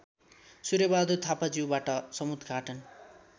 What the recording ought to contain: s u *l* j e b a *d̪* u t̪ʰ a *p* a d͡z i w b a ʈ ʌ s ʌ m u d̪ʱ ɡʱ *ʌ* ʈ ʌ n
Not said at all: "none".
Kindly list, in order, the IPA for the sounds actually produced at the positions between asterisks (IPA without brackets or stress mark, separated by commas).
ɾ, d̪, p, a